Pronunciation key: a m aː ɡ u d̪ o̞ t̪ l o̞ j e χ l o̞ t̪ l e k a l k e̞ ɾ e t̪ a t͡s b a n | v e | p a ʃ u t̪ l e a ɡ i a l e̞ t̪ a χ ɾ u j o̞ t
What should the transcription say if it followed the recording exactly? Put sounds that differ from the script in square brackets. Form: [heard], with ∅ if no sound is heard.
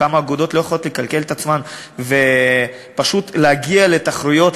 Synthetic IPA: a m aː ɡ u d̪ o̞ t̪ l o̞ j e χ l o̞ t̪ l e k a l k e̞ [l] e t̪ a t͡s [m] a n | v e | p a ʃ u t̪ l e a ɡ i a l e̞ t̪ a χ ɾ u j o̞ t